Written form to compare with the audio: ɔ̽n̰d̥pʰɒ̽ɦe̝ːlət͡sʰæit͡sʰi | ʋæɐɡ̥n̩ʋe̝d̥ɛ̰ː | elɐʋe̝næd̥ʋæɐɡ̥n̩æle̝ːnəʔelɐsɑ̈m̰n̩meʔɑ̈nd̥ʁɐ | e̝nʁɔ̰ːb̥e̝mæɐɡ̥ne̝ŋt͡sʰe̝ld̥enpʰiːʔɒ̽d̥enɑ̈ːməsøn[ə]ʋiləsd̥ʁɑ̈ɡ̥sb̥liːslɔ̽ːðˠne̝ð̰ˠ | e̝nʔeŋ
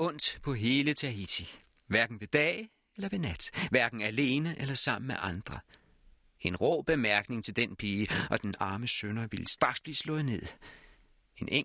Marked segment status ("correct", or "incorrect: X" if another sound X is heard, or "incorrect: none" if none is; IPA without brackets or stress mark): incorrect: ɐ